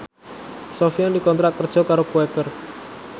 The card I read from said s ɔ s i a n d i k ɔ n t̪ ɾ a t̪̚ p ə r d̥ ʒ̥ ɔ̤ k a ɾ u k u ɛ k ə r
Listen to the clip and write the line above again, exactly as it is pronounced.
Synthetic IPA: s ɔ f i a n d i k ɔ n t̪ ɾ a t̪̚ k ə r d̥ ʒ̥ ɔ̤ k a ɾ o k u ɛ k ə r

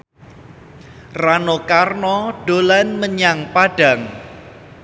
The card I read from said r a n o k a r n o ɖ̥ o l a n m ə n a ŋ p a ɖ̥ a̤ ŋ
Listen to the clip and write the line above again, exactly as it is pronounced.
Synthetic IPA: r a n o k a r n ɔ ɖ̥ o l a n m ə ɲ a ŋ p a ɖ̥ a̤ ŋ

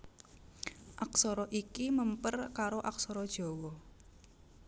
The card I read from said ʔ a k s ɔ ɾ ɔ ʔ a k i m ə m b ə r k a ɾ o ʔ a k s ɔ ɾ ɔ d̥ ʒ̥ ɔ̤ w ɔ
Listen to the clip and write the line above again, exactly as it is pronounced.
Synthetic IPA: ʔ a k s ɔ ɾ ɔ ʔ i k i m ə m p ə r k a ɾ o ʔ a k s ɔ ɾ ɔ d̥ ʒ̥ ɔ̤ w ɔ

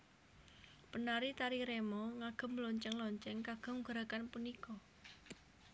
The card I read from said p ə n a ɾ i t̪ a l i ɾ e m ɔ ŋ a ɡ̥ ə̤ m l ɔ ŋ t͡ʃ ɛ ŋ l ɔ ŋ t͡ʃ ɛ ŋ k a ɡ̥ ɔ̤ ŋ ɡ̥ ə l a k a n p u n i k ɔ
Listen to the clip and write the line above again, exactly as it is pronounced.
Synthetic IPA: p ə n a ɾ i t̪ a ɾ i ɾ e m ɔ ŋ a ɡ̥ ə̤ m l ɔ ɲ t͡ʃ ɛ ŋ l ɔ ɲ t͡ʃ ɛ ŋ k a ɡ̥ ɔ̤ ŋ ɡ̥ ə ɾ a k a n p u n i k ɔ

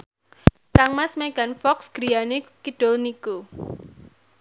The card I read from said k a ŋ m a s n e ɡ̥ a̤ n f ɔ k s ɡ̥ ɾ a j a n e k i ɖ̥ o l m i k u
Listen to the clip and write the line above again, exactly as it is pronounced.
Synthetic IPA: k a ŋ m a s m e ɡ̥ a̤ n f ɔ k s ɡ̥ ɾ i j a n e k i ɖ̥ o l n i k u

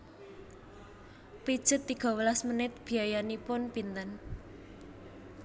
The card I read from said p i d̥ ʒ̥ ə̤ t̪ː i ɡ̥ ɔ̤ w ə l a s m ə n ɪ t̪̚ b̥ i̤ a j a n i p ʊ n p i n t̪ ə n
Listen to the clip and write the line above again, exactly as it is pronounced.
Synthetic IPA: p i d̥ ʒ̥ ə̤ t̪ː i ɡ̥ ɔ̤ w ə l a s m ə n ɪ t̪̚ b̥ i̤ a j a n i p ʊ n p i n t̪ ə n

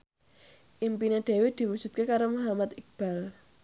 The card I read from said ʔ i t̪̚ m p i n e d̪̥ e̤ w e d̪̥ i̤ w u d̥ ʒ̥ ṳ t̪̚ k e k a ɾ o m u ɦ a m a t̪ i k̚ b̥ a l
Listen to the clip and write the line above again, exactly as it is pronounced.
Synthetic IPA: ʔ i m p i n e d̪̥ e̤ w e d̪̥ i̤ w u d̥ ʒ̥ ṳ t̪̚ k e k a ɾ o m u ɦ a m a t̪ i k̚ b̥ a l

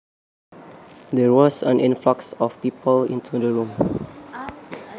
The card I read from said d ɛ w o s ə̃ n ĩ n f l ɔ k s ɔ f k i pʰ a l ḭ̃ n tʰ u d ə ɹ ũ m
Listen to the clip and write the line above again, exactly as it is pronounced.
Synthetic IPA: d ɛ w ɔ s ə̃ n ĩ n f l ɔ k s ɔ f p i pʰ ə l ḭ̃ n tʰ u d ə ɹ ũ m

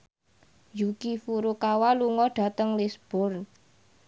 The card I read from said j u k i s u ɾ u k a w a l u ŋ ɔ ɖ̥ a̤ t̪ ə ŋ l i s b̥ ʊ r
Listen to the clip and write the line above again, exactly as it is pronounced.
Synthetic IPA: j u k i f u ɾ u k a w a l u ŋ ɔ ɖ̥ a̤ t̪ ə ŋ l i s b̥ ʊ r

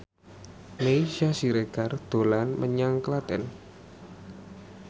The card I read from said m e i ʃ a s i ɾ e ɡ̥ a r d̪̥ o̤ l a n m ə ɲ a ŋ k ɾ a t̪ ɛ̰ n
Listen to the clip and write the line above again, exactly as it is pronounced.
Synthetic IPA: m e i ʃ a s i ɾ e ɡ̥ a r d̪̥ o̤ l a n m ə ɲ a ŋ k l a t̪ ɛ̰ n

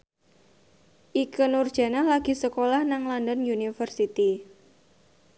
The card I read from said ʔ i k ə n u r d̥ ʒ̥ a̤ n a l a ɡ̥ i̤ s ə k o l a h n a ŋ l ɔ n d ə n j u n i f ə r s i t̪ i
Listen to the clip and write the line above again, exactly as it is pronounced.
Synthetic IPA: ʔ i k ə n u r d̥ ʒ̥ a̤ n a l a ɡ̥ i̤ s ə k o l a h n a ŋ l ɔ n d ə n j u n i f ə r s i t̪ i

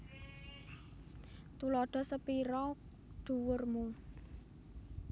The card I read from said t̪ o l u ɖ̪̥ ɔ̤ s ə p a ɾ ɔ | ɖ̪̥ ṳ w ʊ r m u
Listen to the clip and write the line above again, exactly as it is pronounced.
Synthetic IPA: t̪ u l ɔ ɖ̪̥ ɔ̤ s ə p i ɾ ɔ | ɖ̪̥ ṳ w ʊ r m u

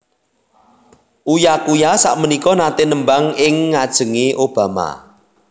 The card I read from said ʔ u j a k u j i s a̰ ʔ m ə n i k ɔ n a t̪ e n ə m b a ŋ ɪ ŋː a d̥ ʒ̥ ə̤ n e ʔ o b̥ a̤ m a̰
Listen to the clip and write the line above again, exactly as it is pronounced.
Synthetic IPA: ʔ u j a k u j a s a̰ ʔ m ə n i k ɔ n a t̪ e n ə m b a ŋ ɪ ŋː a d̥ ʒ̥ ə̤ ŋ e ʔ o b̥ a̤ m a̰

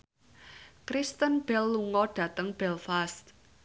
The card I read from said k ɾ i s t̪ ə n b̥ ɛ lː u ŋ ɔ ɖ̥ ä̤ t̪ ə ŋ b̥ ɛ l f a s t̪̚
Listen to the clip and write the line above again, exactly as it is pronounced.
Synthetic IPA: k ɾ i s t̪ ə n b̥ ɛ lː u ŋ ɔ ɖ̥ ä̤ t̪ ə ŋ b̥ ɛ l f a s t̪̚

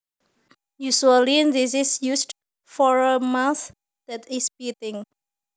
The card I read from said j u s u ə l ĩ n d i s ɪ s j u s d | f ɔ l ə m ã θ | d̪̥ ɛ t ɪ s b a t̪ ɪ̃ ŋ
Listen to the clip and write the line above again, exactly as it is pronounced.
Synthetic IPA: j u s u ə l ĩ n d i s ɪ s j u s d | f ɔ ɹ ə m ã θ | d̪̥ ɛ t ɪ s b i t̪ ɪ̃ ŋ

